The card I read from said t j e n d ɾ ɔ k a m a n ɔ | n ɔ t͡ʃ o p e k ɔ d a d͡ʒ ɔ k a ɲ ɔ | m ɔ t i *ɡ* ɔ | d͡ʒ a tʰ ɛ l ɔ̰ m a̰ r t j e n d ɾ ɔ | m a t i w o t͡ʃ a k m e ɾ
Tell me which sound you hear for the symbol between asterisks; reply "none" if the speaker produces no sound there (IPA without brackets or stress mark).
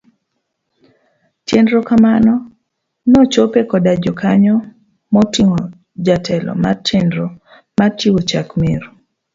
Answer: ŋ